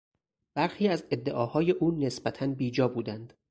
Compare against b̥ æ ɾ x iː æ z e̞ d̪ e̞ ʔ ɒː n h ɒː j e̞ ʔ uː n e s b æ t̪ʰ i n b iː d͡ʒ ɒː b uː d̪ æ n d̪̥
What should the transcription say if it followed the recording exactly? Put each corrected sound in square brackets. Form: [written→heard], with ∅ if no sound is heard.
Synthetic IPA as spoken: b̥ æ ɾ x iː æ z e̞ [d̪→d̪ː] e̞ ʔ ɒː [n→∅] h ɒː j e̞ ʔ uː n e s b æ t̪ʰ [i→æ] n b iː d͡ʒ ɒː b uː d̪ æ n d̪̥